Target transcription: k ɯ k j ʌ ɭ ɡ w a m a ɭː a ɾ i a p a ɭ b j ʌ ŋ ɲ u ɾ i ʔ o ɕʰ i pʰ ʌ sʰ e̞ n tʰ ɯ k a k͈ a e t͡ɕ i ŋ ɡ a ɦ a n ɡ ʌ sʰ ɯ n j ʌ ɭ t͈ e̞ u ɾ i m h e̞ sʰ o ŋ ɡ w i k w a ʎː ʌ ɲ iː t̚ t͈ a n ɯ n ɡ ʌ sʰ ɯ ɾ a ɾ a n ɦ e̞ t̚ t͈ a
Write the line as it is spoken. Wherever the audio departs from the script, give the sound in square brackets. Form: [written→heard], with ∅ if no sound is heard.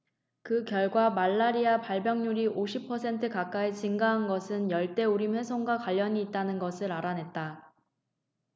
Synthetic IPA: k ɯ k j ʌ ɭ ɡ w a m a ɭː a ɾ i a p a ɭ b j ʌ ŋ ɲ u ɾ i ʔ o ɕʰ i pʰ ʌ sʰ e̞ n tʰ ɯ k a k͈ a e t͡ɕ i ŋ ɡ a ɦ a n ɡ ʌ sʰ ɯ n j ʌ ɭ t͈ e̞ u ɾ i m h e̞ sʰ o ŋ ɡ w [i→a] k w a ʎː ʌ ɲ iː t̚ t͈ a n ɯ n ɡ ʌ sʰ ɯ ɾ a ɾ a n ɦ e̞ t̚ t͈ a